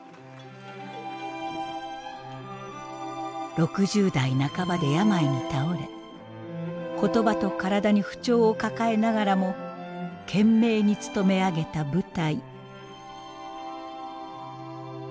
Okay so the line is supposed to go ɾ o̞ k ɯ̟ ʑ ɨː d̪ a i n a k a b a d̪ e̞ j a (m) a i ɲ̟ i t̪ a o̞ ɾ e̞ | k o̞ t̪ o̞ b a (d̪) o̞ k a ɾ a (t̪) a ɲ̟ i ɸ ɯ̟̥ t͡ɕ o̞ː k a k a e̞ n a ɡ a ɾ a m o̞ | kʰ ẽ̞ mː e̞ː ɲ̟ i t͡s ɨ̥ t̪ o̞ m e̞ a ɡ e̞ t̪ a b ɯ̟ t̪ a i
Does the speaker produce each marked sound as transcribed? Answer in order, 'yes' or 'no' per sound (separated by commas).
yes, no, no